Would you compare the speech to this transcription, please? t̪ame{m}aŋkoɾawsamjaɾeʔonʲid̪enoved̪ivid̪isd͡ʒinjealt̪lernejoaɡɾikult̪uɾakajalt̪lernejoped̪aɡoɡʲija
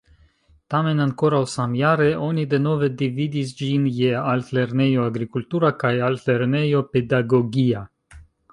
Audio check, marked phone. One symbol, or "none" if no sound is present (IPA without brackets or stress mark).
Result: n